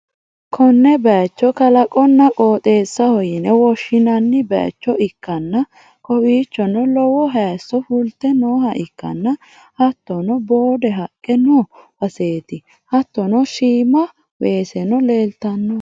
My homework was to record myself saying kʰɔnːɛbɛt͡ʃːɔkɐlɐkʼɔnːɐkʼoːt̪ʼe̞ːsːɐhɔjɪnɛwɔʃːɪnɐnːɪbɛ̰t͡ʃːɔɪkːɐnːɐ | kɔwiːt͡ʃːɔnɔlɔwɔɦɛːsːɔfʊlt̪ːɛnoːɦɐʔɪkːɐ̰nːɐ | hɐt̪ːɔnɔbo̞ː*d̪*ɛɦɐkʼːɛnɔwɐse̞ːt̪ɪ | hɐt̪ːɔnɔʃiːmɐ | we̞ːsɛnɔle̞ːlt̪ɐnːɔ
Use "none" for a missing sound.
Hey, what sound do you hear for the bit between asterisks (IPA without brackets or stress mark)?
d̪